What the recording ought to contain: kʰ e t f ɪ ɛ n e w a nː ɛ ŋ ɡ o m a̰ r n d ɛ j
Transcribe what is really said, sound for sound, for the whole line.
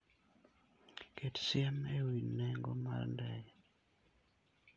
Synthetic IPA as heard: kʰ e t s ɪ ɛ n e w i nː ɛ ŋ ɡ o m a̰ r n d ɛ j